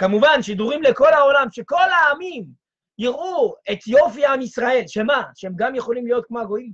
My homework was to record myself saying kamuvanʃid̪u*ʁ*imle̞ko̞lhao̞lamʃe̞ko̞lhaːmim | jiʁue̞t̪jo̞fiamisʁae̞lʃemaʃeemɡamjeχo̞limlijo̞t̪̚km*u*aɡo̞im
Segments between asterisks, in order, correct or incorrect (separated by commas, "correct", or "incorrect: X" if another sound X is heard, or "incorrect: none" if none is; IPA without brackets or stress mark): correct, incorrect: o